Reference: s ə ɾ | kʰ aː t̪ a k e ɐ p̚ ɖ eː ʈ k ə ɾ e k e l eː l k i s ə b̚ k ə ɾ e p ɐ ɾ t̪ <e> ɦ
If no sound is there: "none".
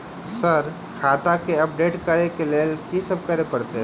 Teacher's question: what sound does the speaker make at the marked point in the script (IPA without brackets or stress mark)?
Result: e